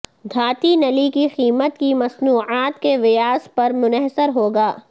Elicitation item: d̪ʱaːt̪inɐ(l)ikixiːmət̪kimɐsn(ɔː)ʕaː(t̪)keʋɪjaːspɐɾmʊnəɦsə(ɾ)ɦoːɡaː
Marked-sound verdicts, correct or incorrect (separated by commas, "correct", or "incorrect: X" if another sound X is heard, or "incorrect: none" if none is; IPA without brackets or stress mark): correct, incorrect: uː, correct, correct